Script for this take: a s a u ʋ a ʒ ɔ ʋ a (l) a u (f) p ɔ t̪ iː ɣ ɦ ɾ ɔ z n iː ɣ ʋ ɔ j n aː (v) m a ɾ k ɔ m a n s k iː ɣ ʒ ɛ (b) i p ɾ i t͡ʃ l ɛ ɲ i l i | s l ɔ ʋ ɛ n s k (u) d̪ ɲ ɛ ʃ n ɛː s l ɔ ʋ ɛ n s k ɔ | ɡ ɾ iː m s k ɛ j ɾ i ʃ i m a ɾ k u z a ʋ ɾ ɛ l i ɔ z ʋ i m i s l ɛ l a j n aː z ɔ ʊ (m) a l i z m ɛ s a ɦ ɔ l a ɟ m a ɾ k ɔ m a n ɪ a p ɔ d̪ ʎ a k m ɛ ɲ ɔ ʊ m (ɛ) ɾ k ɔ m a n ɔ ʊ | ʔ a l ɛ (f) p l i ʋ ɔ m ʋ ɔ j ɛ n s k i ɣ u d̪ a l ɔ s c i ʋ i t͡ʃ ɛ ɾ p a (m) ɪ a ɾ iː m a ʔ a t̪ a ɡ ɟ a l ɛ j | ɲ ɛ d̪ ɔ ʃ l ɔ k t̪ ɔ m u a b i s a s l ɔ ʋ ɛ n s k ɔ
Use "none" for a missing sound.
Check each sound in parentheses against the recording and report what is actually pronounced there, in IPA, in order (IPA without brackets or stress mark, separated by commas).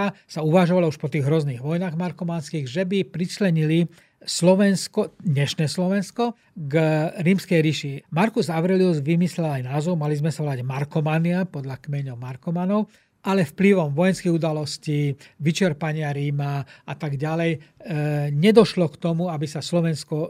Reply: l, ʃ, ɣ, b, ɔ, m, a, f, ɲ